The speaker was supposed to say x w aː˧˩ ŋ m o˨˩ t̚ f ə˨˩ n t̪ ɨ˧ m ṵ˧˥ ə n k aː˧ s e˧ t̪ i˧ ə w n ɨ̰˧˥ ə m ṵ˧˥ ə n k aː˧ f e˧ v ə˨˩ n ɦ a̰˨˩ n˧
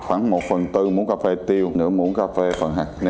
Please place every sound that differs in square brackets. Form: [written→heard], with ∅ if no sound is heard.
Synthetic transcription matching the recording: x w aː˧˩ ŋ m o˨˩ t̚ f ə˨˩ n t̪ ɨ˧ m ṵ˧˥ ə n k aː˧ [s→f] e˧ t̪ i˧ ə w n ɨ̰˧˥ ə m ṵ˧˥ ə n k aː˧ f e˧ [v→f] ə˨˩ n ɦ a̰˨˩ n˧